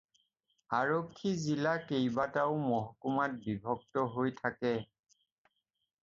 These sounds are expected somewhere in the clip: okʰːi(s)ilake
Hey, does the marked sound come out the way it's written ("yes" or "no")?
no